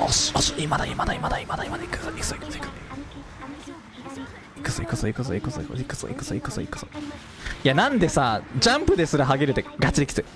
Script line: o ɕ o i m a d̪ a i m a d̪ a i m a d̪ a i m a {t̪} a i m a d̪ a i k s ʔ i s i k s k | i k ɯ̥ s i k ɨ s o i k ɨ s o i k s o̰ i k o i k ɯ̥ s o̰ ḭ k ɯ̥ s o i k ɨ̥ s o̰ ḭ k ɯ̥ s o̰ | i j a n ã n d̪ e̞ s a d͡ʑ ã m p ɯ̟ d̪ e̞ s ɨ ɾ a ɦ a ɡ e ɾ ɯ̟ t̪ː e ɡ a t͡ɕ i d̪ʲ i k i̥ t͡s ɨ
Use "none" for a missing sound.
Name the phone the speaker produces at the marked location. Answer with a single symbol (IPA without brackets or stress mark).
d̪